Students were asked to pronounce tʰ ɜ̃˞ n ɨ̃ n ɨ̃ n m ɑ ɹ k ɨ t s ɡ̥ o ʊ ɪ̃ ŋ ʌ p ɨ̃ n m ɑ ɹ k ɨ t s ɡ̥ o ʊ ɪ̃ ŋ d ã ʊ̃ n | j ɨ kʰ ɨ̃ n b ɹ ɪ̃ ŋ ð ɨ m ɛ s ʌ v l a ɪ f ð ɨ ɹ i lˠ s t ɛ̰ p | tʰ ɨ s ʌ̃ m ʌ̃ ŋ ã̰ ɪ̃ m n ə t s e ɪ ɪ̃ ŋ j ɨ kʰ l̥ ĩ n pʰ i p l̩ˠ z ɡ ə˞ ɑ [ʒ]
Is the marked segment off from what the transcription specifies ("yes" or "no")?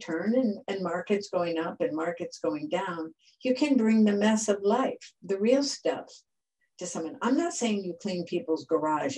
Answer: no